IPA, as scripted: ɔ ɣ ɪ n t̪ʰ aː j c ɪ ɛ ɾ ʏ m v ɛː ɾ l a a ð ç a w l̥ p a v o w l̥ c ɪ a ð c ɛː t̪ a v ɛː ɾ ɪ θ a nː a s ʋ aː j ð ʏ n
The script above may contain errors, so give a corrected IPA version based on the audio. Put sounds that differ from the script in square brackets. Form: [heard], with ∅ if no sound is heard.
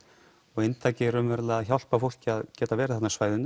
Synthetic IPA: ɔ ɣ ɪ n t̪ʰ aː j c ɪ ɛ ɾ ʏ m v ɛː ɾ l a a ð ç a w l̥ p a [f] o w l̥ c ɪ a ð c ɛː t̪ a v ɛː ɾ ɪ θ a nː a s [v] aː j ð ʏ n